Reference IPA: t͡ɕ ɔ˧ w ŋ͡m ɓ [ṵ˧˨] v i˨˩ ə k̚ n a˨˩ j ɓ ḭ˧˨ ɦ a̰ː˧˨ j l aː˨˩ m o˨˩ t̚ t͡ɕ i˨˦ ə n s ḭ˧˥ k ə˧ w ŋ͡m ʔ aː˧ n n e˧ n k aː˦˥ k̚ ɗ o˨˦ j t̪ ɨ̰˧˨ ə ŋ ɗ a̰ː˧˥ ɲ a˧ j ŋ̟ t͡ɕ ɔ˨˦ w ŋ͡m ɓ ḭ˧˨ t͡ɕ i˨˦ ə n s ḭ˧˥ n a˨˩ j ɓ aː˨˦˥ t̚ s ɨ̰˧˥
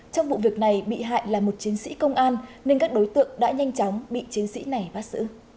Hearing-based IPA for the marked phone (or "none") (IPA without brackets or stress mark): ṵ˧˨